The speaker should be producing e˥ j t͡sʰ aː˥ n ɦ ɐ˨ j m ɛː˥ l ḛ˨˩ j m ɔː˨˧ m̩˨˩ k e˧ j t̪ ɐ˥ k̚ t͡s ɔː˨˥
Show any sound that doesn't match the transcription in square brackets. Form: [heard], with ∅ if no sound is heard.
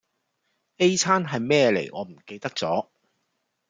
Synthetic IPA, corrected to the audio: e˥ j t͡sʰ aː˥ n ɦ ɐ˨ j m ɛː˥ l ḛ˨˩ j [ŋ] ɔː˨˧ m̩˨˩ k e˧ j t̪ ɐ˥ k̚ t͡s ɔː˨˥

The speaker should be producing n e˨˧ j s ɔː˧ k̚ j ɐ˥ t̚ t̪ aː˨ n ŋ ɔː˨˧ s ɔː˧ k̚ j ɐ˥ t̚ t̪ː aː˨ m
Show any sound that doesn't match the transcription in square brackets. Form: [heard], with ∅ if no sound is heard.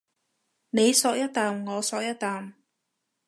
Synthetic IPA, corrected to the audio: n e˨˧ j s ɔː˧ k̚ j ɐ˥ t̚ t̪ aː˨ [m] ŋ ɔː˨˧ s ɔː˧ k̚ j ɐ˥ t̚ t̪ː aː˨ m

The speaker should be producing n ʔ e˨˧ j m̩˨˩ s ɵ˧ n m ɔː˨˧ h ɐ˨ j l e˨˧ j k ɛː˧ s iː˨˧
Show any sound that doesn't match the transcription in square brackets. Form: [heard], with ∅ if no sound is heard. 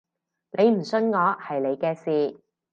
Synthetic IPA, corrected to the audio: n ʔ e˨˧ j m̩˨˩ s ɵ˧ n [ŋ] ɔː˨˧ h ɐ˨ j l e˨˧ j k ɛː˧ s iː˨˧

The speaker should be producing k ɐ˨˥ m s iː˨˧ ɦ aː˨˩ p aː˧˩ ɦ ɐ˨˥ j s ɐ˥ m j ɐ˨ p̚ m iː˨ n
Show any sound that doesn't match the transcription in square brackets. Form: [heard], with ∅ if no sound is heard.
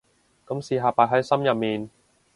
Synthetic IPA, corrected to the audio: k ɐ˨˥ m s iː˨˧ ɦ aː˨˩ p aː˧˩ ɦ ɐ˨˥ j s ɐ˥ m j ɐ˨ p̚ m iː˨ n

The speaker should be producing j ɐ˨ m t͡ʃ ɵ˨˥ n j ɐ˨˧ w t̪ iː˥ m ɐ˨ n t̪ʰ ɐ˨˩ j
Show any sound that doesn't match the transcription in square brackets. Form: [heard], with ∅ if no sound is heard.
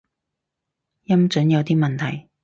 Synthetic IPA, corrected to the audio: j [ɐ˥] m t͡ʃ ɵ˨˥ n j ɐ˨˧ w t̪ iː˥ m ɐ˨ n t̪ʰ ɐ˨˩ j

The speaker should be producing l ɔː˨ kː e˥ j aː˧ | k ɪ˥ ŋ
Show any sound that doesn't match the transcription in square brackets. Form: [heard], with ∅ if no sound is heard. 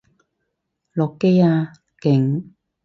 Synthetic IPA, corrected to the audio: l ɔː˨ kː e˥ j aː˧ | k [ɪ˨˩] ŋ

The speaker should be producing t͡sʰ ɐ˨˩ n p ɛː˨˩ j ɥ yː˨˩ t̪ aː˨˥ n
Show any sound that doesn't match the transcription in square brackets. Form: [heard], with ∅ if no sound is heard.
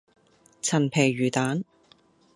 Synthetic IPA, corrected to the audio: t͡sʰ ɐ˨˩ n [pʰ] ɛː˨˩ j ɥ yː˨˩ t̪ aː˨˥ n

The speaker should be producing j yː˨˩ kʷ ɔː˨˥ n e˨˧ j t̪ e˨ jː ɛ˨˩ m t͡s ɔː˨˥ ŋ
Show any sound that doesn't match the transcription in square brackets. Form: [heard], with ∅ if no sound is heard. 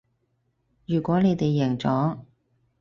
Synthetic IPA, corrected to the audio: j yː˨˩ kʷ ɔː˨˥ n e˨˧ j t̪ e˨ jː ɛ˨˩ [ŋ] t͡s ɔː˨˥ ŋ

